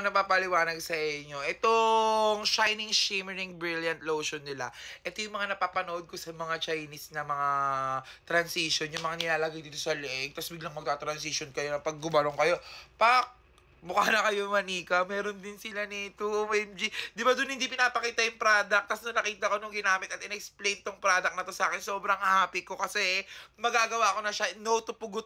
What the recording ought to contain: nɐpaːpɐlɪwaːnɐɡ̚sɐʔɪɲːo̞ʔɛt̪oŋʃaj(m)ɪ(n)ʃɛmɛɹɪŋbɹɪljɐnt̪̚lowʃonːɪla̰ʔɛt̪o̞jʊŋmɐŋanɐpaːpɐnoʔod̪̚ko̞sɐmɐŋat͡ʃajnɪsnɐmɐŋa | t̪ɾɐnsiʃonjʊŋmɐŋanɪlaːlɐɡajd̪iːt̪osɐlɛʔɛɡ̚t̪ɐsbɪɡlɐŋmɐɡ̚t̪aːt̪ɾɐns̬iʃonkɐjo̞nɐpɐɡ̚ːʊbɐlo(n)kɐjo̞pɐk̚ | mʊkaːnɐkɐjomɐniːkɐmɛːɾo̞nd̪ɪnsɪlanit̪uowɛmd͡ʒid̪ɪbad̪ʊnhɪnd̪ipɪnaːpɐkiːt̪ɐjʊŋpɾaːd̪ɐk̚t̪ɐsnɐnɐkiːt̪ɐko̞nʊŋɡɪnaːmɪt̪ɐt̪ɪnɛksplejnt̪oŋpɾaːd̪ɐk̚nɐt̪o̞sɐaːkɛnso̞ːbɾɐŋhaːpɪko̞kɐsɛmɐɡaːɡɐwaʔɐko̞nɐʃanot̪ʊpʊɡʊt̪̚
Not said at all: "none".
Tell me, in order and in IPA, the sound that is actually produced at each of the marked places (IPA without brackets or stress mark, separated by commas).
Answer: n, ŋ, ŋ